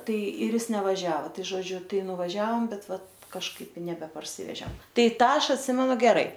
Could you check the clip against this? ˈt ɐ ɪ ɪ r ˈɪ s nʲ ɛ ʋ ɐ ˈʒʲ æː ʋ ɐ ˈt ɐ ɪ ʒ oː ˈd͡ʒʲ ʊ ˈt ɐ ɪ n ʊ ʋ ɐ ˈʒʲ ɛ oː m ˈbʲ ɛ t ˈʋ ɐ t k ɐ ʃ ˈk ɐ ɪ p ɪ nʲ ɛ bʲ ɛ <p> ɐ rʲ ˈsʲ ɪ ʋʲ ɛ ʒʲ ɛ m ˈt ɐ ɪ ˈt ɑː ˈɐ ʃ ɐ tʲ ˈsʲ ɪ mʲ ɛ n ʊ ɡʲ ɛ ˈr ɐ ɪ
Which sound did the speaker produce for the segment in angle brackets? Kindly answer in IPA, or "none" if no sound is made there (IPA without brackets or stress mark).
p